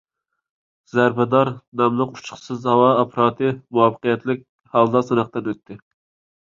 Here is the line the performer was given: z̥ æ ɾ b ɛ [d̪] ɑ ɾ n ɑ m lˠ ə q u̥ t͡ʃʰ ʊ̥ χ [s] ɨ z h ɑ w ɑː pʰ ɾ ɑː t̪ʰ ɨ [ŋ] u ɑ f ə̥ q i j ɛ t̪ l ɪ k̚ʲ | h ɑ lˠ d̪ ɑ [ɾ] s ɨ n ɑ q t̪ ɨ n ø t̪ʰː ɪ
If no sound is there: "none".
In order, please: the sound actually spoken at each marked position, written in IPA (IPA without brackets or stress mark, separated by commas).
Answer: d̪, s, m, none